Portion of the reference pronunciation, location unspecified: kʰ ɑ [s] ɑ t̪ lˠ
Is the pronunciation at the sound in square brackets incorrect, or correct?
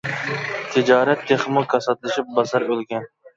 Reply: correct